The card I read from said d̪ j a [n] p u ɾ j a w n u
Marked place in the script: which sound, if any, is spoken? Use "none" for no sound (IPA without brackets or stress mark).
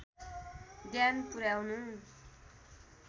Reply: n